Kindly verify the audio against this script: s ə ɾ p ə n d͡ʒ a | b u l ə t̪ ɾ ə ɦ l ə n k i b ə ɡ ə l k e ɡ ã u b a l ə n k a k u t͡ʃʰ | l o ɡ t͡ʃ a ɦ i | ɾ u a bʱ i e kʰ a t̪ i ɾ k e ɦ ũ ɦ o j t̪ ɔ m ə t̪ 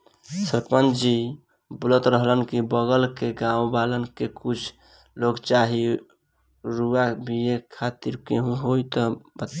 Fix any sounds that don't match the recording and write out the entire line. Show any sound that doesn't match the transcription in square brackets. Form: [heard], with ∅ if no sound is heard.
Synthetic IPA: s ə ɾ p ə n d͡ʒ [i] | b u l ə t̪ ɾ ə ɦ l ə n k i b ə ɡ ə l k e ɡ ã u b a l ə n k [e] k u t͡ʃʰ | l o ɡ t͡ʃ a ɦ i | ɾ u a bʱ i e kʰ a t̪ i ɾ k e ɦ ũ ɦ o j t̪ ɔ [b] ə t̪